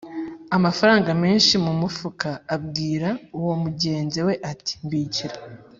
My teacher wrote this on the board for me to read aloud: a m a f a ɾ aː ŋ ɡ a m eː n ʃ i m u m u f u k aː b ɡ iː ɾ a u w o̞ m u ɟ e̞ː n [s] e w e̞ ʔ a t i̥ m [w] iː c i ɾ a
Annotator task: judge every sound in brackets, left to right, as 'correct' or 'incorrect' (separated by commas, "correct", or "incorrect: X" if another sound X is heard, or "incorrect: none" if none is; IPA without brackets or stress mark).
incorrect: z, incorrect: b